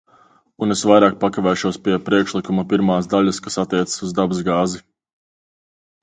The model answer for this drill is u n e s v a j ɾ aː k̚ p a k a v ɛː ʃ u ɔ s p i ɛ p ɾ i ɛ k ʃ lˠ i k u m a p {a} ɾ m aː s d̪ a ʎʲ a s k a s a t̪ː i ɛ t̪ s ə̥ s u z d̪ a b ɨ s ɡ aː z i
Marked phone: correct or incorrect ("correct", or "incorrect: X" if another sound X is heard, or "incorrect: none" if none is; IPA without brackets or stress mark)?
incorrect: i